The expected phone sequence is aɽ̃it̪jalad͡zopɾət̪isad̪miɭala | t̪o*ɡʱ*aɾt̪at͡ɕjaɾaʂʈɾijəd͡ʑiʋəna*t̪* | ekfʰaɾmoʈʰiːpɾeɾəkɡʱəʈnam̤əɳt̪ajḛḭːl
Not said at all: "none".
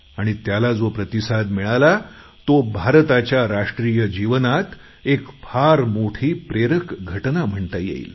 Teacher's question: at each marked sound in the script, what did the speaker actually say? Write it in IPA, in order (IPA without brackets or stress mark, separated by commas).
bʱ, t̪